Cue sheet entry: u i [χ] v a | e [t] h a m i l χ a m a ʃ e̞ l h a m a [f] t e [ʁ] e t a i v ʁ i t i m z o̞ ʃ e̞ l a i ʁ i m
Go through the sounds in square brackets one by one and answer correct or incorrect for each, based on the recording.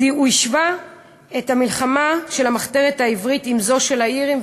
incorrect, correct, incorrect, correct

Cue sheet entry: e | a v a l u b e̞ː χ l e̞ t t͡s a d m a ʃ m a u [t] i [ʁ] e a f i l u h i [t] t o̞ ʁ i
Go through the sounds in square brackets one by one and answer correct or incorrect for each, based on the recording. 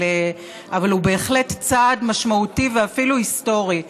correct, incorrect, incorrect

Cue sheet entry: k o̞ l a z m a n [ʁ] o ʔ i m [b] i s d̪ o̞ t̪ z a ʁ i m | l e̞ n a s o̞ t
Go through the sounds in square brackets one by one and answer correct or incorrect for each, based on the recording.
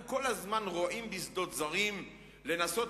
correct, correct

